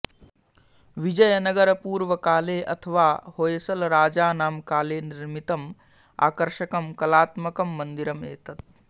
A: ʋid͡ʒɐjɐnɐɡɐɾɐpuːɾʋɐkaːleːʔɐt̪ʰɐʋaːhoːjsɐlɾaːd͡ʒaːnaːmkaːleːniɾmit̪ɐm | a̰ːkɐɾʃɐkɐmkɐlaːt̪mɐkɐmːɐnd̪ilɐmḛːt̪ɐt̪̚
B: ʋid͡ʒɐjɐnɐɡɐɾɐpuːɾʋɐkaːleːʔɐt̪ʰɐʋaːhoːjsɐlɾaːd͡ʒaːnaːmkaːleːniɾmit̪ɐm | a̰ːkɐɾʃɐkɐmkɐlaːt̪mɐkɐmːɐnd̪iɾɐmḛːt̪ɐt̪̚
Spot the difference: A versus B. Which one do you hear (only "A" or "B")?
B